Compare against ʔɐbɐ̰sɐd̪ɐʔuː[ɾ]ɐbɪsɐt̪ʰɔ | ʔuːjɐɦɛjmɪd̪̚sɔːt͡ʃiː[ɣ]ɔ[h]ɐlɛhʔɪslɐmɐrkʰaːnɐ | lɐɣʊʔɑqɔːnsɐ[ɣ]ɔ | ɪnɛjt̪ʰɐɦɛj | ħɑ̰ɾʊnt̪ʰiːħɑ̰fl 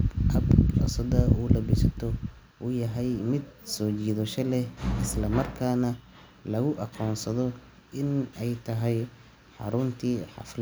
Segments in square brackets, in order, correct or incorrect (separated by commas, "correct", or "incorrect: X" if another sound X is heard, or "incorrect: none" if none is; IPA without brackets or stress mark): incorrect: l, incorrect: ð, incorrect: ʃ, incorrect: ð